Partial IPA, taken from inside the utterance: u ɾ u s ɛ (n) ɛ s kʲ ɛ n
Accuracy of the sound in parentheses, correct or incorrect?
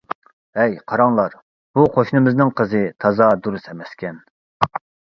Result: incorrect